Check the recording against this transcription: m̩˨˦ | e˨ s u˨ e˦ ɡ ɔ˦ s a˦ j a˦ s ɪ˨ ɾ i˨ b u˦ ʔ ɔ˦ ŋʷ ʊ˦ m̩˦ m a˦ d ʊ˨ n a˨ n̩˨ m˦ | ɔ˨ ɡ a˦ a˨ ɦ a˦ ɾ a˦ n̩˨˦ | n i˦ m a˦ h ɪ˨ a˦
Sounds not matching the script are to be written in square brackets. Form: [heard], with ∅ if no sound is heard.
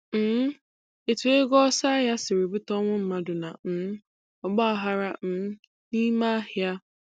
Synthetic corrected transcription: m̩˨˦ | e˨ [t] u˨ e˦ ɡ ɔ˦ s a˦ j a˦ s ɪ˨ ɾ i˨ b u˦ [t] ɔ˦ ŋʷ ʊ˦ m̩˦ m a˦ d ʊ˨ n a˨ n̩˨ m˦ | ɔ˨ [ɡ͡b] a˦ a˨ ɦ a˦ ɾ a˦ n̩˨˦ | n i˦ m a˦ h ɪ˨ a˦